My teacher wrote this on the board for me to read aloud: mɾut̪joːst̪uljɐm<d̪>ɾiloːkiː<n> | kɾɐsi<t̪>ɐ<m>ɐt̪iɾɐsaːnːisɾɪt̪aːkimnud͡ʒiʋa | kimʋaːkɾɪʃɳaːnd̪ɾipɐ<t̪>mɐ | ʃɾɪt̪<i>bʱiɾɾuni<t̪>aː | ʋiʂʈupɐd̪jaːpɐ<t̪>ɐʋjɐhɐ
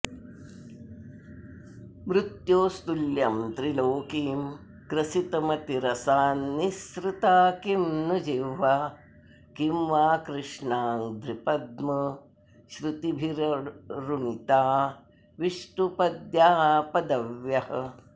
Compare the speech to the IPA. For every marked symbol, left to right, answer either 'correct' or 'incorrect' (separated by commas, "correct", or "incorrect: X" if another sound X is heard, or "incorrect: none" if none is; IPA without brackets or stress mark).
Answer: incorrect: t̪, incorrect: m, correct, correct, incorrect: d̪, correct, correct, incorrect: d̪